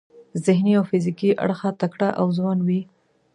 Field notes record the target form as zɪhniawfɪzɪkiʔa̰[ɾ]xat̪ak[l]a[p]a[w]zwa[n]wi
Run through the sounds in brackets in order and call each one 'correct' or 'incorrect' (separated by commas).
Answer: incorrect, incorrect, incorrect, correct, correct